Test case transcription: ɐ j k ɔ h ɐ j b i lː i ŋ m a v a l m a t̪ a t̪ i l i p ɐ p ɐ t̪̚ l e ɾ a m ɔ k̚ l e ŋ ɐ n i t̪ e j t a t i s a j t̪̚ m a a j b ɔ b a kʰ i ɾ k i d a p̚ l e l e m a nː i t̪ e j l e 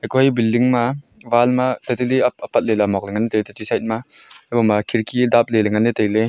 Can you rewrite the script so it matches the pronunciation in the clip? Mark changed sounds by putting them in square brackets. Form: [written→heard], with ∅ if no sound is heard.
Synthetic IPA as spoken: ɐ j k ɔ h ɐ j b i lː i ŋ m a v a l m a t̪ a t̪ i l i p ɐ p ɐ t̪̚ l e [ɾ→l] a m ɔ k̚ l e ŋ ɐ n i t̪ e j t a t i s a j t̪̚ m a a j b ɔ [b→m] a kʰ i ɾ k i d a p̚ l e l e [m→ŋ] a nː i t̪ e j l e